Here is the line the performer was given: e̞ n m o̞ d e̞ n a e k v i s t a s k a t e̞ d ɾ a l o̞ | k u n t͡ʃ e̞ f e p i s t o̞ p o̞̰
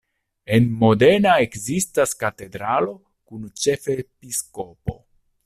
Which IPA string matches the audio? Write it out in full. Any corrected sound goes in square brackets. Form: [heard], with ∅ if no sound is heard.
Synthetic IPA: e̞ n m o̞ d e̞ n a e k [z] i s t a s k a t e̞ d ɾ a l o̞ | k u n t͡ʃ e̞ f e p i s [k] o̞ p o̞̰